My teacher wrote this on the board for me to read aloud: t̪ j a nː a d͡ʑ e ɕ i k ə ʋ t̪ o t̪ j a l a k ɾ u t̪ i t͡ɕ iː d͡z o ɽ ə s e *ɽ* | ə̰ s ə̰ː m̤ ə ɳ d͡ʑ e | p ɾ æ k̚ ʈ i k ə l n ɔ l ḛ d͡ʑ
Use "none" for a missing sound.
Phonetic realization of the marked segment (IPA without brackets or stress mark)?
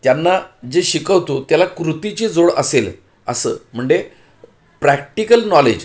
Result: l